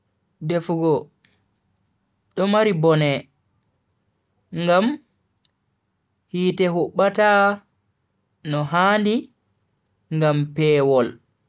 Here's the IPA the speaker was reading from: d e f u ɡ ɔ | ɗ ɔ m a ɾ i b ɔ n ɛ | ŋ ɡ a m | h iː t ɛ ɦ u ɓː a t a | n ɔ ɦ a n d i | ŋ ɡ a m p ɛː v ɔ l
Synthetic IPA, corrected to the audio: d e f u ɡ ɔ | ɗ ɔ m a ɾ i b ɔ n ɛ | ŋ ɡ a m | h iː t ɛ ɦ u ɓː a t a | n ɔ ɦ a n d i | ŋ ɡ a m p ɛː w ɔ l